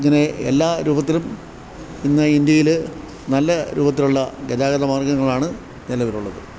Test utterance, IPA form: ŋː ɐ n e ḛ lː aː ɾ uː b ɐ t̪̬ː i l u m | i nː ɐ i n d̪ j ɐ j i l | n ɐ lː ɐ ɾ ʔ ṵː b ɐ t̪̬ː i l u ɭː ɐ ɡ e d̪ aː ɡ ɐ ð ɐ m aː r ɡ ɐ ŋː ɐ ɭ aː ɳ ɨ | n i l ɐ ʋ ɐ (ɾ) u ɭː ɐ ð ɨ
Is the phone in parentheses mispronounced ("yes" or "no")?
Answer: no